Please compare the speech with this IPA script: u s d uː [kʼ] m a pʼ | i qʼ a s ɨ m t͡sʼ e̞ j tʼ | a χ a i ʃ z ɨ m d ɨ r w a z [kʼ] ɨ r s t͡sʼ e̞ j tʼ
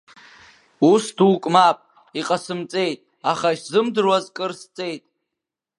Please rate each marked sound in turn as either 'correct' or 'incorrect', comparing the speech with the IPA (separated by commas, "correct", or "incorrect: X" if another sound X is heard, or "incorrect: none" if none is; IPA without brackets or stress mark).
correct, correct